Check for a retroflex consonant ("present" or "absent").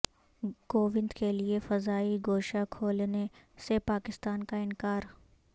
absent